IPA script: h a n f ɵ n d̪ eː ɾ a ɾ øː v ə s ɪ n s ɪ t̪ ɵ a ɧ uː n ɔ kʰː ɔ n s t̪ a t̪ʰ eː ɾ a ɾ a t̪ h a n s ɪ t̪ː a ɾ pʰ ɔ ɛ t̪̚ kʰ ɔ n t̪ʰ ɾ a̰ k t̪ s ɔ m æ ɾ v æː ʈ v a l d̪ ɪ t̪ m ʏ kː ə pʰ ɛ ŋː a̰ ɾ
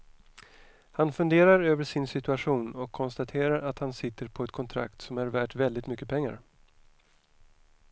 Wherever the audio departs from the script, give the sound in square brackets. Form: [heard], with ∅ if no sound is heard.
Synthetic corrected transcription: h a n f ɵ n d̪ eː ɾ a ɾ øː v ə [ʂ] ɪ n s ɪ t̪ ɵ a ɧ uː n ɔ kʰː ɔ n s t̪ a t̪ʰ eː ɾ a ɾ a t̪ h a n s ɪ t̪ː [ə] ɾ pʰ ɔ ɛ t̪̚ kʰ ɔ n t̪ʰ ɾ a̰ k t̪ s ɔ m æ ɾ v æː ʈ v [ɛ] l d̪ ɪ t̪ m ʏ kː ə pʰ ɛ ŋː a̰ ɾ